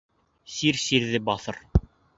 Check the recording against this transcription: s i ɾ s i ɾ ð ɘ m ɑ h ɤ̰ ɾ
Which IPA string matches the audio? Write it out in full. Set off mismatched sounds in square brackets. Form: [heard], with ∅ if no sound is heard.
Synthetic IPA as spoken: s i ɾ s i ɾ ð ɘ [b] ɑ [θ] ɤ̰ ɾ